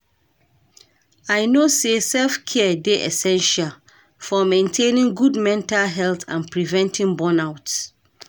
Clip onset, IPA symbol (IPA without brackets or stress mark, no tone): a